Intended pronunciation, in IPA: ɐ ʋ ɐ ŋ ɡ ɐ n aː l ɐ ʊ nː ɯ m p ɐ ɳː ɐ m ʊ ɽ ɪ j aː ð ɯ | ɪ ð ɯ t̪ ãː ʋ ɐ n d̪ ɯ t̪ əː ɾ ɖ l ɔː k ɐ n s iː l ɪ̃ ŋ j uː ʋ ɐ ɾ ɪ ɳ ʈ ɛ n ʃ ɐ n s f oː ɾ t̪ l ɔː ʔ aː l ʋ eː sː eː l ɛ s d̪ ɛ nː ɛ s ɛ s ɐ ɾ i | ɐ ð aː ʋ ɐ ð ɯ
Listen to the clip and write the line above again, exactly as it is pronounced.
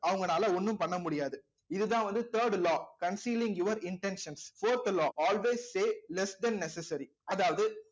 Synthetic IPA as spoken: ɐ ʋ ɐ ŋ ɡ ɐ n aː l ɐ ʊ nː ɯ m p ɐ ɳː ɐ m ʊ ɽ ɪ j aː ð ɯ | ɪ ð ɯ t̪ ãː ʋ ɐ n d̪ ɯ t̪ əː ɾ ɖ l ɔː k ɐ n s iː l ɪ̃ ŋ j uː ʋ ɐ ɾ ɪ ɳ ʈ ɛ n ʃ ɐ n s f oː ɾ t̪ l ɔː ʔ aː l ʋ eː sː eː l ɛ s d̪ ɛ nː ɛ s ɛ s ɐ ɾ i | ɐ ð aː ʋ ɐ ð ɯ